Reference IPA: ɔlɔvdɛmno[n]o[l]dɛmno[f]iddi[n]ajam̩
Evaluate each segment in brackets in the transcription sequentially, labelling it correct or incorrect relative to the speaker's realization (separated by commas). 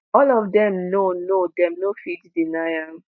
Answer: correct, incorrect, correct, correct